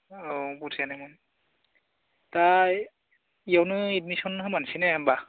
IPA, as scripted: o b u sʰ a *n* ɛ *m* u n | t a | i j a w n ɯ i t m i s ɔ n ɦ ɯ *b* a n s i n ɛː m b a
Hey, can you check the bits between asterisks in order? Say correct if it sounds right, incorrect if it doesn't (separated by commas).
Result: correct, correct, incorrect